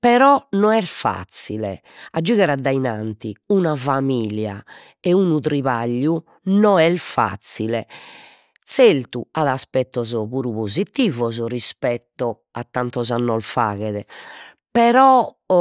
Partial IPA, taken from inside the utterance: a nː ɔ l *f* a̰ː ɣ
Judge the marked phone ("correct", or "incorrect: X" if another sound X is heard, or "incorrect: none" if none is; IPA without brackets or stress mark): correct